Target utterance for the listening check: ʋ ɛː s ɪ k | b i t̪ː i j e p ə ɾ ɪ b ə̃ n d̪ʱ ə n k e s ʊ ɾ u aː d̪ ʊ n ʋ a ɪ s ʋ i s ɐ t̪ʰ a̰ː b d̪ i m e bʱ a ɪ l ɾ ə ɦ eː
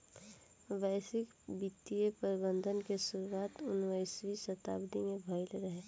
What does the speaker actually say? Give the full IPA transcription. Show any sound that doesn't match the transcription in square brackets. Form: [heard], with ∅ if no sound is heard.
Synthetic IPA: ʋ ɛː s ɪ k | b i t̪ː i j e p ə ɾ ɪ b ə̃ n d̪ʱ ə n k e s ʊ ɾ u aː [t̪] ʊ n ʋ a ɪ s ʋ i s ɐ [t̪] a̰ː b d̪ i m e bʱ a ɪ l ɾ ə ɦ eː

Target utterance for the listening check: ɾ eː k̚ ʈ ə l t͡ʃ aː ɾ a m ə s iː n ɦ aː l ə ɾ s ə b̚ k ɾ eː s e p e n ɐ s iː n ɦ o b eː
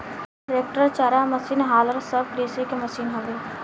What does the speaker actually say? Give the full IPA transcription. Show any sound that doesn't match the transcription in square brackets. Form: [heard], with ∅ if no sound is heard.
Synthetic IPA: ɾ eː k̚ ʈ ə [ɾ] t͡ʃ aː ɾ a m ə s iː n ɦ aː l ə ɾ s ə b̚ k ɾ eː s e [k] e [m] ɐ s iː n ɦ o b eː

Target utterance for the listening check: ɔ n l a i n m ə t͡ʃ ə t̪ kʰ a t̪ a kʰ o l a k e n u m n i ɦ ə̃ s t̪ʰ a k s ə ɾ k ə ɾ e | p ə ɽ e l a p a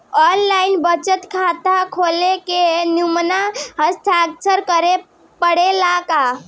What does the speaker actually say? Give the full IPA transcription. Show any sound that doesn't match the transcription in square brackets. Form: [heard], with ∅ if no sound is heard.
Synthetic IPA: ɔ n l a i n [b] ə t͡ʃ ə t̪ kʰ a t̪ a kʰ o l [e] k e n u m n [a] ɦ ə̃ s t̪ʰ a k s ə ɾ k ə ɾ e | p ə ɽ e l a [k] a

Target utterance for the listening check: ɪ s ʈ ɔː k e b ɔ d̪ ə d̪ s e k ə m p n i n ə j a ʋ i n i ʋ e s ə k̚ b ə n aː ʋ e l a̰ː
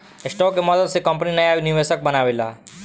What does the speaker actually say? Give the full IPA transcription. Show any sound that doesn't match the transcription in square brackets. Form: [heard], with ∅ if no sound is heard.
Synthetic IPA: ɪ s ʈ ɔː k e [m] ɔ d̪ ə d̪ s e k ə m p n i n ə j a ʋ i n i ʋ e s ə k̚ b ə n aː ʋ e l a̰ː

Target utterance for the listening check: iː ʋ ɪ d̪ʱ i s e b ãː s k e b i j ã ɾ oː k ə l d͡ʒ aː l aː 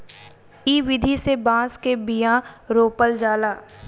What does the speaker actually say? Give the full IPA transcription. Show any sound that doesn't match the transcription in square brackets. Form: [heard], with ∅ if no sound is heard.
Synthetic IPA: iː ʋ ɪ d̪ʱ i s e b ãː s k e b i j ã ɾ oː [p] ə l d͡ʒ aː l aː

